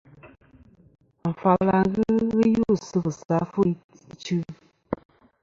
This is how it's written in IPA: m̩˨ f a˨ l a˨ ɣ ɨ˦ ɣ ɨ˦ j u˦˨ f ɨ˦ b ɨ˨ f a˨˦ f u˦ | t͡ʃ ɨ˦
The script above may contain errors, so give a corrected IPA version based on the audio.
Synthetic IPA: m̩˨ f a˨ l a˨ ɣ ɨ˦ ɣ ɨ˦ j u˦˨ s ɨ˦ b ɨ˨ s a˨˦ f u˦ | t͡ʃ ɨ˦